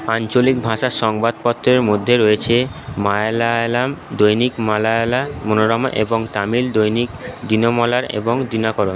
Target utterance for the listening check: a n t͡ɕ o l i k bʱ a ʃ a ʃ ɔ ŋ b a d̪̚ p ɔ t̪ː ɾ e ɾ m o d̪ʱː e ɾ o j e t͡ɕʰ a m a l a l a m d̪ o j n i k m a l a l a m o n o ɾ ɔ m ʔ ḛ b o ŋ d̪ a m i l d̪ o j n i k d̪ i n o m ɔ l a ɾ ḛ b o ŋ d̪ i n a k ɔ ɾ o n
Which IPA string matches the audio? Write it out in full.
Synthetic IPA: a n t͡ɕ o l i k bʱ a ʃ a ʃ ɔ ŋ b a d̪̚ p ɔ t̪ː ɾ e ɾ m o d̪ʱː e ɾ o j e t͡ɕʰ e m a l a l a m d̪ o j n i k m a l a l a m o n o ɾ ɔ m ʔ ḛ b o ŋ t̪ a m i l d̪ o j n i k d̪ i n o m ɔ l a ɾ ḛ b o ŋ d̪ i n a k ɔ ɾ o n

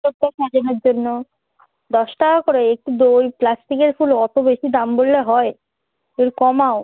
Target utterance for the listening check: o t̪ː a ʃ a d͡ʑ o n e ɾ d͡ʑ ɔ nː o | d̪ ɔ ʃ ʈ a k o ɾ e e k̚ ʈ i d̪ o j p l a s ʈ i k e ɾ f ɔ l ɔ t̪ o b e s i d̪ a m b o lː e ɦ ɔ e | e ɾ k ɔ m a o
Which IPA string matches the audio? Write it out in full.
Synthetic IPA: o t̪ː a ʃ a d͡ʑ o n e ɾ d͡ʑ o nː o | d̪ ɔ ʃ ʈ a k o ɾ e e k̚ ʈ i d̪ o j p l a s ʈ i k e ɾ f u l ɔ t̪ o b e ʃ i d̪ a m b o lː e ɦ ɔ e | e ɾ k ɔ m a o

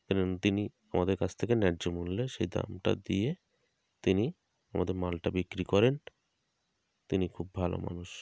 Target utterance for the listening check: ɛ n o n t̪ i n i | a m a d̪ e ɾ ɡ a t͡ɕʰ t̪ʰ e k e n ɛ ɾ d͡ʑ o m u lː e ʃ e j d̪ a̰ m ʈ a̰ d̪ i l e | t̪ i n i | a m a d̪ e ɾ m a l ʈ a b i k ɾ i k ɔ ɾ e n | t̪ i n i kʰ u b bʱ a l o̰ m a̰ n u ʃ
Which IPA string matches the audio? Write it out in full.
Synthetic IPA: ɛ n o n t̪ i n i | a m a d̪ e ɾ k a t͡ɕʰ t̪ʰ e k e n ɛ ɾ d͡ʑ o m u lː e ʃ e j d̪ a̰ m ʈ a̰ d̪ i e | t̪ i n i | a m a d̪ e ɾ m a l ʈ a b i k ɾ i k ɔ ɾ e n | t̪ i n i kʰ u b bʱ a l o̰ m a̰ n u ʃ

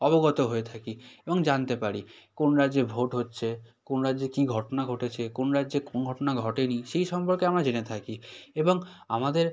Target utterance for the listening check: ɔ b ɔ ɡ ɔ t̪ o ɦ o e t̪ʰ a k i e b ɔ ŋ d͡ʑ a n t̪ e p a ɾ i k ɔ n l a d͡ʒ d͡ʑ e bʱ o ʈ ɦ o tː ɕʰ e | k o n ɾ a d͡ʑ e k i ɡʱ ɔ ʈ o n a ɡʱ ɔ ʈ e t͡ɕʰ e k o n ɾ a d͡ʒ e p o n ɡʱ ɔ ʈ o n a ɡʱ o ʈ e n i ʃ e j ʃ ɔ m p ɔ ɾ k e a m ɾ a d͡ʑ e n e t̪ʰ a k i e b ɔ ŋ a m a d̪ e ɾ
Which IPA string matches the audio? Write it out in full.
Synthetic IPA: ɔ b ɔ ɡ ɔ t̪ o ɦ o e t̪ʰ a k i e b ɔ ŋ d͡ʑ a n t̪ e p a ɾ i k o n ɾ a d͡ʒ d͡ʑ e bʱ o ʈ ɦ o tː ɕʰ e | k o n ɾ a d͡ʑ e k i ɡʱ ɔ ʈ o n a ɡʱ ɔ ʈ e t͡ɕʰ e k o n ɾ a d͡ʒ e k o n ɡʱ ɔ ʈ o n a ɡʱ ɔ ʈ e n i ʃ e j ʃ ɔ m p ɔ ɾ k e a m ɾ a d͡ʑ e n e t̪ʰ a k i e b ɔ ŋ a m a d̪ e ɾ

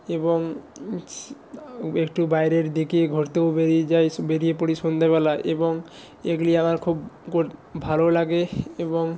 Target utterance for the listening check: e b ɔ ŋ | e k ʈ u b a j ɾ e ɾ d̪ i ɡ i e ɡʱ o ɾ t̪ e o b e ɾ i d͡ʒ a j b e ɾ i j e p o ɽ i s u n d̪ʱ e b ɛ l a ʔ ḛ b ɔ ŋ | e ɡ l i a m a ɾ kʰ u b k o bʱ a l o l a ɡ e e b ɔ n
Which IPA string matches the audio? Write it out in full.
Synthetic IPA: e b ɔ ŋ | e k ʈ u b a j ɾ e ɾ d̪ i k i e ɡʱ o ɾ t̪ e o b e ɾ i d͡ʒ a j b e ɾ i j e p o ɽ i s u n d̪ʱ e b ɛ l a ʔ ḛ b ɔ ŋ | e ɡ l i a m a ɾ kʰ u b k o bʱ a l o l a ɡ e e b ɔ ŋ

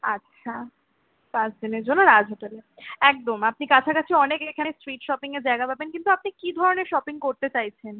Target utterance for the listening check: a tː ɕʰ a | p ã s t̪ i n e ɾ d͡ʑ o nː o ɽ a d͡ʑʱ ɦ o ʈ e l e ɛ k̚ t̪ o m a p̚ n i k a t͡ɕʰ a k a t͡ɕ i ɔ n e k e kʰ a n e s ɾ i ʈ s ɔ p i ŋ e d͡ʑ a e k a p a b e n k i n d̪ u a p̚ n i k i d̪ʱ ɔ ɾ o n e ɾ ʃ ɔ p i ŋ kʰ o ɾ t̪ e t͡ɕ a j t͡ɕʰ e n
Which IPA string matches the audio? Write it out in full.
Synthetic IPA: a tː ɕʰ a | p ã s d̪ i n e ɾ d͡ʑ o nː o ɾ a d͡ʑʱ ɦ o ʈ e l e ɛ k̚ d̪ o m a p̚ n i k a t͡ɕʰ a k a t͡ɕʰ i ɔ n e k e kʰ a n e s ɾ i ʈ ʃ ɔ p i ŋ e d͡ʑ a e ɡ a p a b e n k i n t̪ u a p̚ n i k i d̪ʱ ɔ ɾ o n e ɾ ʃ ɔ p i ŋ k o ɾ t̪ e t͡ɕ a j t͡ɕʰ e n

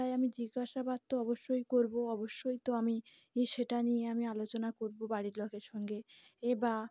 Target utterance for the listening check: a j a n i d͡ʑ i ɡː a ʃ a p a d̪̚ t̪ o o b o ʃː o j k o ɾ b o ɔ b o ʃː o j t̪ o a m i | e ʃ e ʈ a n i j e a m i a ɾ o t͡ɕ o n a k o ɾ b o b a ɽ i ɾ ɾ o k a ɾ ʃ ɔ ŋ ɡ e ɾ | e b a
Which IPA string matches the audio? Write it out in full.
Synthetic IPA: a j a m i d͡ʑ i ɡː a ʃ a b a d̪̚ t̪ o ɔ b o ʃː o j k o ɾ b o ɔ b o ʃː o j t̪ o a m i | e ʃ e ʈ a n i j e a m i a l o t͡ɕ o n a k o ɾ b o b a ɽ i ɾ l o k e ɾ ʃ ɔ ŋ ɡ e | e b a

